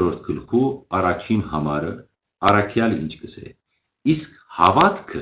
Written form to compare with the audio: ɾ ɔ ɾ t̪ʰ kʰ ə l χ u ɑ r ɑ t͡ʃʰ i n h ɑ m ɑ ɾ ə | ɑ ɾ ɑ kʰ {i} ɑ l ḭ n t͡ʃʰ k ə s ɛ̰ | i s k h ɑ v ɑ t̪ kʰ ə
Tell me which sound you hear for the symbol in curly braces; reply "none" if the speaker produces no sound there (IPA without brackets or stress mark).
j